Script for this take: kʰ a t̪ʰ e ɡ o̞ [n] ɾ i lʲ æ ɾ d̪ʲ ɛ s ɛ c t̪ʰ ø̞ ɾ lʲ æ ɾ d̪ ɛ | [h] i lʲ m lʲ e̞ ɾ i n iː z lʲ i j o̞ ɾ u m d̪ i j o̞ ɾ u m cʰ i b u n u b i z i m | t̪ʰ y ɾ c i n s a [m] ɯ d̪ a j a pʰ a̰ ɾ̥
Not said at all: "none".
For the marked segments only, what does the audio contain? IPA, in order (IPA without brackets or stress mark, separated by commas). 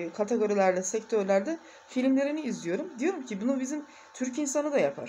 none, f, n